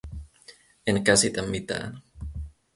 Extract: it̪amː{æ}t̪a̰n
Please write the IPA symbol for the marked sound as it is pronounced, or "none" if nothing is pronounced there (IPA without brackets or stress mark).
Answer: i